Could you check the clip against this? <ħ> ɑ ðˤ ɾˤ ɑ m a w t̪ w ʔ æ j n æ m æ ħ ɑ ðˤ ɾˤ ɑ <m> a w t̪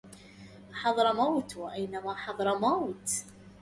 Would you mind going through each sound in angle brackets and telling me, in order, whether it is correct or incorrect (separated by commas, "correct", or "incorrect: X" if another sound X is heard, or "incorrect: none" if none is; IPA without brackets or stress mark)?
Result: correct, correct